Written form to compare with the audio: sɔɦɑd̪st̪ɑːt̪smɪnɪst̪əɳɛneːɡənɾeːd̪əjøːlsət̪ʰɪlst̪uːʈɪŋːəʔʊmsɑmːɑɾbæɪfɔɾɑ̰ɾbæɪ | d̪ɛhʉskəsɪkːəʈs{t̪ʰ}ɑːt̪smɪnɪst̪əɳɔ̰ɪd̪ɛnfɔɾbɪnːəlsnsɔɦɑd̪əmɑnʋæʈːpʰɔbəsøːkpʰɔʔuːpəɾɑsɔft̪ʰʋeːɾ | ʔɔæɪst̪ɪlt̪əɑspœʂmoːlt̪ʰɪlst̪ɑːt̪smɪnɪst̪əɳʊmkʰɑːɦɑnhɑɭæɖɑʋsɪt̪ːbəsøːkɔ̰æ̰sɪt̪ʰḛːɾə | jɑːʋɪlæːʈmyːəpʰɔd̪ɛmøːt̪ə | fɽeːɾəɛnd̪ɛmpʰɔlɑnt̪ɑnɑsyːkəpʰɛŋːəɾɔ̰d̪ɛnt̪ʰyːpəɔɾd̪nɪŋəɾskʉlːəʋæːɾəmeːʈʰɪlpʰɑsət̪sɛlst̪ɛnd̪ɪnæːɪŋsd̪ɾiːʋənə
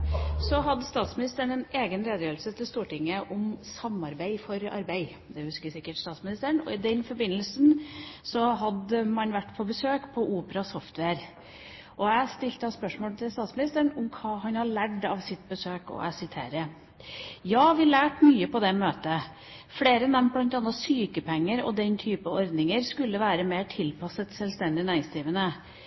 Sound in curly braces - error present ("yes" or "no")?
yes